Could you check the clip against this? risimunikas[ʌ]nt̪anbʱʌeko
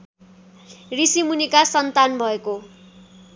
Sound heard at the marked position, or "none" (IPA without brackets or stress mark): ʌ